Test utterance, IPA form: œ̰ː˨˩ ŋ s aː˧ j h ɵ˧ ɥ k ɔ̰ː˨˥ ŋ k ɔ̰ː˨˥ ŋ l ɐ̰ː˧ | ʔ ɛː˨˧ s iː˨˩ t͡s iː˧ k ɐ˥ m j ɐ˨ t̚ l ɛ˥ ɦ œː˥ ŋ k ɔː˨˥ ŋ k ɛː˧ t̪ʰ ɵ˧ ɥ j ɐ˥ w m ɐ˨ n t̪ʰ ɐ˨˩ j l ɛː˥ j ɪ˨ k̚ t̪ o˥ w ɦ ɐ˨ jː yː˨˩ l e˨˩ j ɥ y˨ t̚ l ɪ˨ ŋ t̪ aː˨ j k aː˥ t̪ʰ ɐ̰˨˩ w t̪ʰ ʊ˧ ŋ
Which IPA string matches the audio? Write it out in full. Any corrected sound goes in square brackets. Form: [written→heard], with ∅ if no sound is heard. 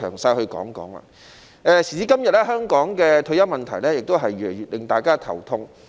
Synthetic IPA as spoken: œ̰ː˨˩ ŋ s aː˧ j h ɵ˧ ɥ k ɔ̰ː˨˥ ŋ k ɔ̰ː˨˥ ŋ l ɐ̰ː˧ | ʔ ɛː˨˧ s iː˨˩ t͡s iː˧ k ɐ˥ m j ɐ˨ t̚ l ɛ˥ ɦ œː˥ ŋ k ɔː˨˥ ŋ k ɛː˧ t̪ʰ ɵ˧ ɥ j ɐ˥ w m ɐ˨ n t̪ʰ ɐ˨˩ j l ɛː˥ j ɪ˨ k̚ t̪ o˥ w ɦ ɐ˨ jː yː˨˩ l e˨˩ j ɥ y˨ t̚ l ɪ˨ ŋ t̪ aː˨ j k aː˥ t̪ʰ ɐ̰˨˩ w t̪ʰ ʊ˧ ŋ